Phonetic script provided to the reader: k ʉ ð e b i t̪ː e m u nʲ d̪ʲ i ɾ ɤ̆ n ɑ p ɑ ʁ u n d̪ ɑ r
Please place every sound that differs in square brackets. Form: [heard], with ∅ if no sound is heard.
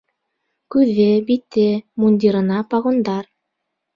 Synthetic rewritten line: k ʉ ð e b i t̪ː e m u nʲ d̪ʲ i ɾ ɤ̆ n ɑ p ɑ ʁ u n d̪ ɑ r

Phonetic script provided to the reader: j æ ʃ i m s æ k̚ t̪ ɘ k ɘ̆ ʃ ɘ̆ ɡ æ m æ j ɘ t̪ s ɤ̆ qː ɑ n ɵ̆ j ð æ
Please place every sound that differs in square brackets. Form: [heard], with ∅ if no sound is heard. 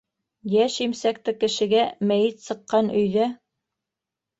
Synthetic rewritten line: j æ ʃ i m s æ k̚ t̪ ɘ k ɘ̆ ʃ ɘ̆ ɡ æ m æ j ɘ t̪ s ɤ̆ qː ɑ n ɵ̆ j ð æ

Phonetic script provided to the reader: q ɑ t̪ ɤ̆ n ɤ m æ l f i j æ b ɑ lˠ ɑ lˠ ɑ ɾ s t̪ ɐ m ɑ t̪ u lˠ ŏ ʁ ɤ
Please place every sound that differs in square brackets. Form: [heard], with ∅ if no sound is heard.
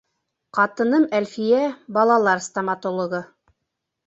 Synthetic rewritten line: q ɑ t̪ ɤ̆ n ɤ m æ l f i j æ b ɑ lˠ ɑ lˠ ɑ ɾ s t̪ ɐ m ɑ t̪ [o] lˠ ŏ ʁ ɤ

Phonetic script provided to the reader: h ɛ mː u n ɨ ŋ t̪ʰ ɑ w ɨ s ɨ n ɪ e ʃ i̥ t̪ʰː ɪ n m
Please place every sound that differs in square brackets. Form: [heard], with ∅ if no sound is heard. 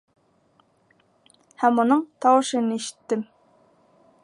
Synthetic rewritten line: h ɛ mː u n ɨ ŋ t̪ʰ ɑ w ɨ [ʃ] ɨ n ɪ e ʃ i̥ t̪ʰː ɪ [∅] m

